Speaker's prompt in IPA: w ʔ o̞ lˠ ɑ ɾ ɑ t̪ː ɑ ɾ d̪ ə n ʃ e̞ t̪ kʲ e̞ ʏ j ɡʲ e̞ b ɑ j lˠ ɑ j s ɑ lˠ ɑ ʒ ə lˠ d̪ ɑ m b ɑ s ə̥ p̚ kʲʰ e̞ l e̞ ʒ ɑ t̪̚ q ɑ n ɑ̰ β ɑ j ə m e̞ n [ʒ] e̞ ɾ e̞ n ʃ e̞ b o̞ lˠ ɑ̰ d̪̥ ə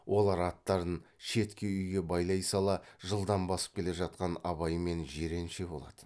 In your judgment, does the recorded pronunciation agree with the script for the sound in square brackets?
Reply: yes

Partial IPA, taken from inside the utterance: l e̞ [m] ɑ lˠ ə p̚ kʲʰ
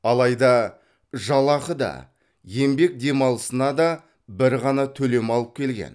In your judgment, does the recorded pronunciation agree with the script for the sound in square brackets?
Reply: yes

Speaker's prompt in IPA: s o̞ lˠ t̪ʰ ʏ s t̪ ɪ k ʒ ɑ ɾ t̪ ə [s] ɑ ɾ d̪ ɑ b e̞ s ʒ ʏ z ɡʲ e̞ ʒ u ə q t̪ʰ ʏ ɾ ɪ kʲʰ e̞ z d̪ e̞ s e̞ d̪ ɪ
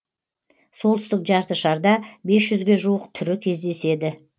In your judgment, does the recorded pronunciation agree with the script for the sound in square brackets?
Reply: no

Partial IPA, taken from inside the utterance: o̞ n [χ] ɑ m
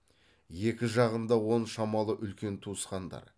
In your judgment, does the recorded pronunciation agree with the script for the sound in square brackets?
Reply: no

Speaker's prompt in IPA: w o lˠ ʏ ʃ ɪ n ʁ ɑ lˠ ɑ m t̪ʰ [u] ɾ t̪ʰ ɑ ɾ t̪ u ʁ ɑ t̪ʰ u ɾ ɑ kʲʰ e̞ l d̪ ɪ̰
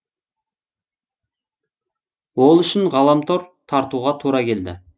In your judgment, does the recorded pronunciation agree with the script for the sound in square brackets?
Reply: no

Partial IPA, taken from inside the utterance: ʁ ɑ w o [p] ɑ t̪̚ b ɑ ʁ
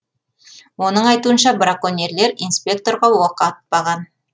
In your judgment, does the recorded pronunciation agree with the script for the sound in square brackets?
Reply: no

